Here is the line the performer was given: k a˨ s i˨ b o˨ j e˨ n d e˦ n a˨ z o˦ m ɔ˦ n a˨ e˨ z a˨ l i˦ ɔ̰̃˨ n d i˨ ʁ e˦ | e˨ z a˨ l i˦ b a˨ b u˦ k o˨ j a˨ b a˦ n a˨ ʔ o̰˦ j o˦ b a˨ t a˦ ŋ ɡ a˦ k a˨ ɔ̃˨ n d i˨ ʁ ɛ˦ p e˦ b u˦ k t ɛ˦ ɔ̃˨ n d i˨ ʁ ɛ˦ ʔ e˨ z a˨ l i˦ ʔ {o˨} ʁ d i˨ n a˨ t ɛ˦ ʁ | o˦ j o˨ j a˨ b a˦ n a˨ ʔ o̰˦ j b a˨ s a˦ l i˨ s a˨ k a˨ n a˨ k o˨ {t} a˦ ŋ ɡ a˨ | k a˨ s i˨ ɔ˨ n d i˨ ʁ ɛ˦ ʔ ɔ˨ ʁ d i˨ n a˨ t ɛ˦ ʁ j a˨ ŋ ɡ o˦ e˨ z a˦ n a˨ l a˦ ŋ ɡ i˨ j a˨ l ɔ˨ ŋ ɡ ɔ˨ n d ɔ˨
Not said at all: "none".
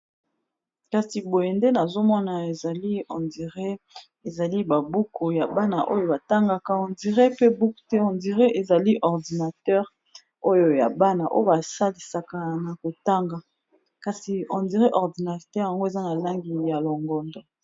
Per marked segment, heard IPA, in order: ɔ˨, t

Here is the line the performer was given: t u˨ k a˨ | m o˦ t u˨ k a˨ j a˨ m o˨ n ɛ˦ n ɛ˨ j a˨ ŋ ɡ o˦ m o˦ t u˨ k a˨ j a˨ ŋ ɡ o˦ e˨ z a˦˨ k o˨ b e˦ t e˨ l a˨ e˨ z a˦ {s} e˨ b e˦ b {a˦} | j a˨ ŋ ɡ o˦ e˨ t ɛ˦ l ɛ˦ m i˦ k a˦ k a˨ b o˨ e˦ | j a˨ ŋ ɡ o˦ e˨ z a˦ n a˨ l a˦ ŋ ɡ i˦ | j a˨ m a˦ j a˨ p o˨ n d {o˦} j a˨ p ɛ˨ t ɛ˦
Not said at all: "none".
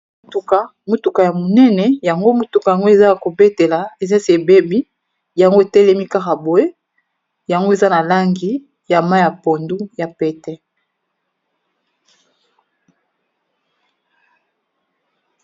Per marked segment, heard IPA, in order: s, i˦, u˦

